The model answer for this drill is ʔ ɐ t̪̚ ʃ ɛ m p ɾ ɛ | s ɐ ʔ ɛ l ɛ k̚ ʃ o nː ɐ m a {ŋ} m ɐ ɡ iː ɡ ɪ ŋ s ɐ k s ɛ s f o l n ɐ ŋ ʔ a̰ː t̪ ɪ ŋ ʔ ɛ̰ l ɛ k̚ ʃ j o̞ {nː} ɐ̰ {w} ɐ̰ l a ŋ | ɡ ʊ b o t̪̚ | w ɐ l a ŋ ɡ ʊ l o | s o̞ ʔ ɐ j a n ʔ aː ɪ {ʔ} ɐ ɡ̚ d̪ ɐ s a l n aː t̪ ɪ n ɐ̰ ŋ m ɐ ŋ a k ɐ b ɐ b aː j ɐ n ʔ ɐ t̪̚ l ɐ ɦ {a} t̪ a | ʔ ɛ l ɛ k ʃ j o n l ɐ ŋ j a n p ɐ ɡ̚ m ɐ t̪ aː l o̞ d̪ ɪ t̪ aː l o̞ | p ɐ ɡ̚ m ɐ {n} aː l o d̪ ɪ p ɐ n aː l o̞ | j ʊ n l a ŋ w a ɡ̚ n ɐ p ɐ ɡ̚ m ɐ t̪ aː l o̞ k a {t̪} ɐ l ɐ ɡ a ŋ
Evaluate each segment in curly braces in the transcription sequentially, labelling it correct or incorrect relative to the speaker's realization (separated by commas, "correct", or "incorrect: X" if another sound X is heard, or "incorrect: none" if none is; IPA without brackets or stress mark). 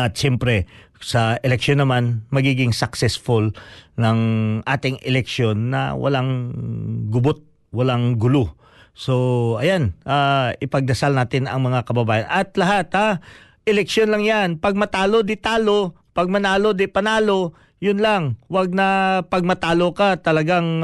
incorrect: n, correct, correct, incorrect: p, correct, correct, correct